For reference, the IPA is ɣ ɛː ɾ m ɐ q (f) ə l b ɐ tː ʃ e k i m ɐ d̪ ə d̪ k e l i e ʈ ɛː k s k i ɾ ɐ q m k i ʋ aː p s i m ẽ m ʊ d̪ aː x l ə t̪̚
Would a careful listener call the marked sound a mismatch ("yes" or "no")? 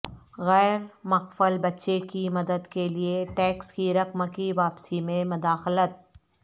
no